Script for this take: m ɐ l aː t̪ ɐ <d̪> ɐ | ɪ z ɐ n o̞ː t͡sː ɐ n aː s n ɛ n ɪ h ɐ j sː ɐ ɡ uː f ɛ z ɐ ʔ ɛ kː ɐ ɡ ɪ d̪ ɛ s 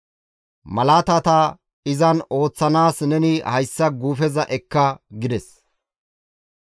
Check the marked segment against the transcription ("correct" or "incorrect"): incorrect